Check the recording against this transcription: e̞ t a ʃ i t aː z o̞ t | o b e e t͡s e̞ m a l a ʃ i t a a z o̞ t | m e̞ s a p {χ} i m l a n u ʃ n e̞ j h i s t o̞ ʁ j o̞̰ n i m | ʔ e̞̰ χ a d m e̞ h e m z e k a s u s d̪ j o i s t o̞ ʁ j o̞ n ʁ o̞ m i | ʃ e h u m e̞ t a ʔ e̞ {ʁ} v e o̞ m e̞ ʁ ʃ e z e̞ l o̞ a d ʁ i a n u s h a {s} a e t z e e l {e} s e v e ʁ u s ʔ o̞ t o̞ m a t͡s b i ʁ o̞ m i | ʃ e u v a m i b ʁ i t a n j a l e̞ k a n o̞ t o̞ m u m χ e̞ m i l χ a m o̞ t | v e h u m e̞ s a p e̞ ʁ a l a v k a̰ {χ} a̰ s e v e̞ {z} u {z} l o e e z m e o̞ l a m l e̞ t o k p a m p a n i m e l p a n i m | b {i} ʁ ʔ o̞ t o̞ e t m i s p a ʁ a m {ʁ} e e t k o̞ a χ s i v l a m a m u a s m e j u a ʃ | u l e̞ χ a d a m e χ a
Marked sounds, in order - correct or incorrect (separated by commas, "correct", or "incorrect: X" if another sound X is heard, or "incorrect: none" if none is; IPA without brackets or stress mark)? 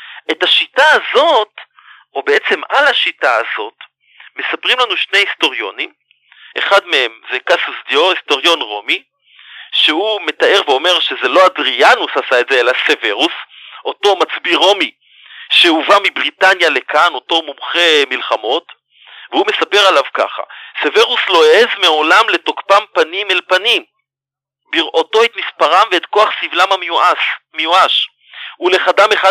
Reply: incorrect: ʁ, correct, correct, incorrect: a, correct, incorrect: ʁ, incorrect: s, correct, incorrect: v